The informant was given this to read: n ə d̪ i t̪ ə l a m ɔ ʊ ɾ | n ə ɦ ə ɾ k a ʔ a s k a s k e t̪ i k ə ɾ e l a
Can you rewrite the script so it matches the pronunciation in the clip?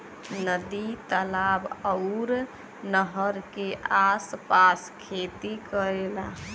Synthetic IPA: n ə d̪ i t̪ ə l a b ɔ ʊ ɾ | n ə ɦ ə ɾ k e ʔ a s p a s kʰ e t̪ i k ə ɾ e l a